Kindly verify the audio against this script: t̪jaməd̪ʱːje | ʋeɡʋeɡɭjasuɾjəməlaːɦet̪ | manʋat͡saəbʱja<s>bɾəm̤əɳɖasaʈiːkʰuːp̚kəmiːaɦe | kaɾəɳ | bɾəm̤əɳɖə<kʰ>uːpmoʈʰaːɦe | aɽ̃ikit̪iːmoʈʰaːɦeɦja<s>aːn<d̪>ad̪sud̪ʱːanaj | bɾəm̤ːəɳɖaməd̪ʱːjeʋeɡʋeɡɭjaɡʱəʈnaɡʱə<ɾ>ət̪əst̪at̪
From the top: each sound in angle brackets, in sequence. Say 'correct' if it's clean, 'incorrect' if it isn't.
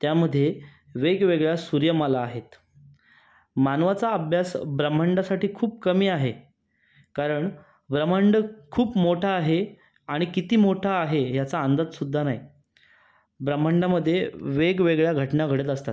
correct, correct, incorrect: t͡s, correct, incorrect: ɽ

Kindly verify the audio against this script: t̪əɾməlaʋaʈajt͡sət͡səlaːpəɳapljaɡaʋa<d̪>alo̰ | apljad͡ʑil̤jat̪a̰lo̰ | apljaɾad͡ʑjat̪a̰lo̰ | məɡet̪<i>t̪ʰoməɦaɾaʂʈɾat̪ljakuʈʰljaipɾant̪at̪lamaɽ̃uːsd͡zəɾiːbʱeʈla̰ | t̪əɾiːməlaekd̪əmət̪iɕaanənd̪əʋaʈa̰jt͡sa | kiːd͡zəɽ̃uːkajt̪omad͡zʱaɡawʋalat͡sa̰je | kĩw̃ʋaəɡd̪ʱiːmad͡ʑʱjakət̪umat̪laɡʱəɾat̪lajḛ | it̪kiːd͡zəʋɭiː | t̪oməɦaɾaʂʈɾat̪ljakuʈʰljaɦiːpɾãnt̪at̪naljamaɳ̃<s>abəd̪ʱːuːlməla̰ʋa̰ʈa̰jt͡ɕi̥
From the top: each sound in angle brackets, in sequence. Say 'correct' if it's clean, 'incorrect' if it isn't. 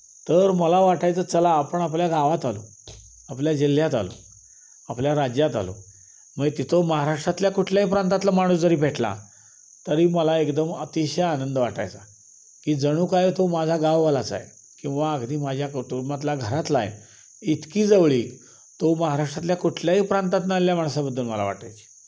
incorrect: t̪, correct, correct

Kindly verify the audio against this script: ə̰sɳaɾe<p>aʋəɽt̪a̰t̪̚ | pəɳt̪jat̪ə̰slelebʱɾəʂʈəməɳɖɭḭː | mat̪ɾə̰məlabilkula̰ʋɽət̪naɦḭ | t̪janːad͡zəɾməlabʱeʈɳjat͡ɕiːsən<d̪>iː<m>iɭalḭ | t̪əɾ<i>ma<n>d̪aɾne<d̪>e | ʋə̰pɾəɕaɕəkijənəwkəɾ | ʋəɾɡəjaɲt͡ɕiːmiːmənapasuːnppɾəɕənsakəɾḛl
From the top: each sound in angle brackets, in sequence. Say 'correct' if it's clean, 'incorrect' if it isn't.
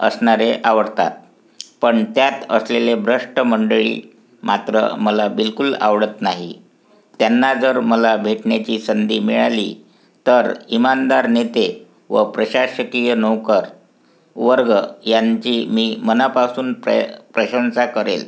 incorrect: ʔ, correct, correct, correct, correct, incorrect: t̪

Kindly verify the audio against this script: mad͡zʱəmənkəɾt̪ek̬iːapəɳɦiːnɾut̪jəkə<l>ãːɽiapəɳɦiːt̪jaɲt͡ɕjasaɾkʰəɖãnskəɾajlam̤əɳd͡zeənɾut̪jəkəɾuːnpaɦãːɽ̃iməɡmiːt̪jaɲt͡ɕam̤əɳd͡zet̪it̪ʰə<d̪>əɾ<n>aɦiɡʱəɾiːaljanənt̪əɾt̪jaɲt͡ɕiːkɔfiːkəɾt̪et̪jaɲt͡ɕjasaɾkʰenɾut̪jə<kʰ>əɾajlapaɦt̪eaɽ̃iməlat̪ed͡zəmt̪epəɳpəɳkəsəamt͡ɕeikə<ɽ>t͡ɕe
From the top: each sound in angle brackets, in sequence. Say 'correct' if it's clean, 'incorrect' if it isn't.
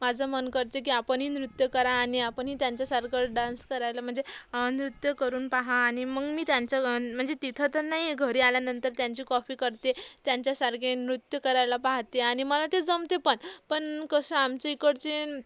incorrect: ɾ, incorrect: t̪, correct, incorrect: k, correct

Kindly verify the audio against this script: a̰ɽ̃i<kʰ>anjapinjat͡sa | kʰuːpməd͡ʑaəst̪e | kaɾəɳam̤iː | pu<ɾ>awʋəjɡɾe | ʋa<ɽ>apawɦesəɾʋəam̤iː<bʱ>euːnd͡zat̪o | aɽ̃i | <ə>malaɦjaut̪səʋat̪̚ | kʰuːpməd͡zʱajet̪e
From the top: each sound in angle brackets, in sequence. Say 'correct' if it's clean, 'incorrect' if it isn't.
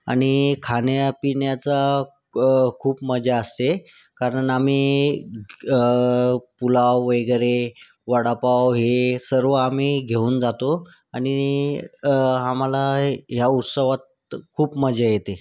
correct, incorrect: l, correct, incorrect: ɡʱ, incorrect: a

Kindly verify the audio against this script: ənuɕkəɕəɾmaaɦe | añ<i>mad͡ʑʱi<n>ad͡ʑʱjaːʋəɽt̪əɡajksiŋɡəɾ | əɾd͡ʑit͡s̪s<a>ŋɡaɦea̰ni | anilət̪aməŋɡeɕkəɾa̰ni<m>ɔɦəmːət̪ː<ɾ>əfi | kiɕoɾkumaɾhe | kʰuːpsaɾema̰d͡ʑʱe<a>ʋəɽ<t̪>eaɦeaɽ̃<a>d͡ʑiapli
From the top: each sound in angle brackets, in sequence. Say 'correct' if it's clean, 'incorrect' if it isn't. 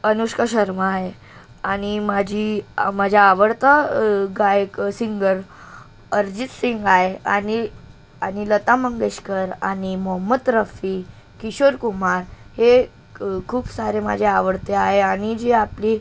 correct, incorrect: m, incorrect: i, correct, correct, correct, correct, incorrect: i

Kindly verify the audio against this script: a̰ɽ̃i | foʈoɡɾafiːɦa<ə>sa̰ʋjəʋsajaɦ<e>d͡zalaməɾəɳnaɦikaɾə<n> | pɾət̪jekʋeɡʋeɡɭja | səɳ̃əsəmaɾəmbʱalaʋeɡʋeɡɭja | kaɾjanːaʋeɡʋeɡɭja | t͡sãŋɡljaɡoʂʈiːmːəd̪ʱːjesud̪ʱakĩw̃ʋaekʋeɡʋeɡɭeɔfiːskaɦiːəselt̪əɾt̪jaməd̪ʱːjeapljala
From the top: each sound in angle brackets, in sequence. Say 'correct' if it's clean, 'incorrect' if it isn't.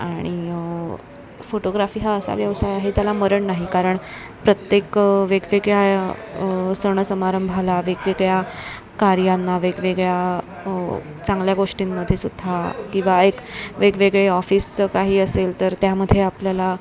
correct, correct, incorrect: ɳ

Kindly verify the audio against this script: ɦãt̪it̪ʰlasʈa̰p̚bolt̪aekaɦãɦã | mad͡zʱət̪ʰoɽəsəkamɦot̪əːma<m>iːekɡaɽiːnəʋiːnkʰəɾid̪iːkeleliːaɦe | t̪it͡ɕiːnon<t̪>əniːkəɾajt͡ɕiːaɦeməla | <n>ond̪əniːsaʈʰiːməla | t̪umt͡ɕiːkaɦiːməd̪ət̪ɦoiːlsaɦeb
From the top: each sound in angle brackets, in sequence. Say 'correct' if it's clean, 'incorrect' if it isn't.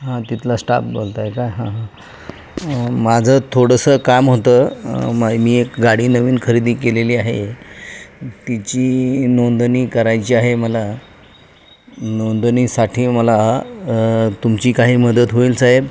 correct, incorrect: d̪, correct

